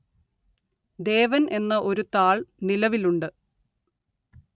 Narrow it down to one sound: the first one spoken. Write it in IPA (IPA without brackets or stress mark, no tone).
d̪